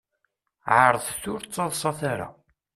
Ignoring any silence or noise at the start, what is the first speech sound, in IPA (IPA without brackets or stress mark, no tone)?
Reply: ʕ